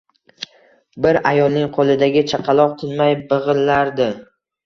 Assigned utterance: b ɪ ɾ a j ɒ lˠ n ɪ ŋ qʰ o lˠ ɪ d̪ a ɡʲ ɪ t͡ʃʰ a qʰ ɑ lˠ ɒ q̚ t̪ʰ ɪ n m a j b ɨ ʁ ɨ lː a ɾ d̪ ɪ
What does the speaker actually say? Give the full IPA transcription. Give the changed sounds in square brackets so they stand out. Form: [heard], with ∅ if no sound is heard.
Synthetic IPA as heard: b ɪ ɾ a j ɒ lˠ n ɪ ŋ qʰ o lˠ ɪ d̪ a ɡʲ ɪ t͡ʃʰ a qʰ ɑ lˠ ɒ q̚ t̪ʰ ɪ n m a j b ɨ ʁ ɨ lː a ɾ d̪ ɪ